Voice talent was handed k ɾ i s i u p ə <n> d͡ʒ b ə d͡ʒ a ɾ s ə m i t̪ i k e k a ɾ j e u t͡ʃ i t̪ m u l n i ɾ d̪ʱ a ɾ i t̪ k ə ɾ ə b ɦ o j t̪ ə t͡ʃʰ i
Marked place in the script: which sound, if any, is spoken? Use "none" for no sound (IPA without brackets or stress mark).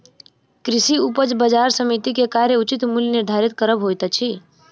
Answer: none